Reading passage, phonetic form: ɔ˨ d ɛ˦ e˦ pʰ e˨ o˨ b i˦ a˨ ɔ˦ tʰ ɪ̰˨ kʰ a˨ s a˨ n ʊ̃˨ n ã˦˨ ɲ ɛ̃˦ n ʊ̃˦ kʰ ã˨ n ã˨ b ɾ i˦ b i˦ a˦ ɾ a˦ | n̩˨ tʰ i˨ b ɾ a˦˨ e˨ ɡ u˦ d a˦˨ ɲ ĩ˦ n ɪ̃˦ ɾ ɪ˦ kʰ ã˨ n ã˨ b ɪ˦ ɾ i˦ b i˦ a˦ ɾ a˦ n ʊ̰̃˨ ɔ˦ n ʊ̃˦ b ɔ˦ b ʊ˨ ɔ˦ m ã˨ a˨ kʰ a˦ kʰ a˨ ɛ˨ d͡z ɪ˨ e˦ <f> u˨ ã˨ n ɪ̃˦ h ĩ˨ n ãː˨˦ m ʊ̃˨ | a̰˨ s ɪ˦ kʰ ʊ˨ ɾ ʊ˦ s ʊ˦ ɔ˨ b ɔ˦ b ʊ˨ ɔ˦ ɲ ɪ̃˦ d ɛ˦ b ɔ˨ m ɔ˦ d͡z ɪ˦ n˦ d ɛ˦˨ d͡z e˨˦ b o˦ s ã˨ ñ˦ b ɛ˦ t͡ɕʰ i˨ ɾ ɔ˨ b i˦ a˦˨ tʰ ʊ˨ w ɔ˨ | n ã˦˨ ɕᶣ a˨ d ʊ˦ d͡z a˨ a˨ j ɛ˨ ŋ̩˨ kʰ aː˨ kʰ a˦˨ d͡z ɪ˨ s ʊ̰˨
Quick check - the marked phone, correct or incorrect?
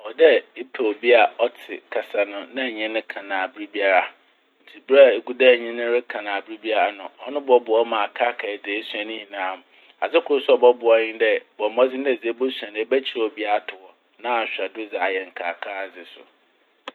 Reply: incorrect